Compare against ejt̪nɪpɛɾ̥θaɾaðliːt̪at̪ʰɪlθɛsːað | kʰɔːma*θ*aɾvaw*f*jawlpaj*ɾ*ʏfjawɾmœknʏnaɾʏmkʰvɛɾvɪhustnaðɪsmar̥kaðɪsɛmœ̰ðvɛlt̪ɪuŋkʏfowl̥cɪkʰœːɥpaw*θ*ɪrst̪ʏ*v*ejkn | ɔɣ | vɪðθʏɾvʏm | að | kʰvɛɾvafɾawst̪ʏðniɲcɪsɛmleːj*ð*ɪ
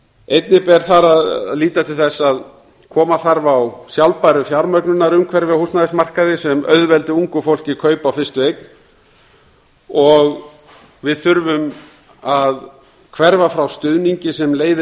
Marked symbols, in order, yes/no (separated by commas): yes, no, yes, no, yes, yes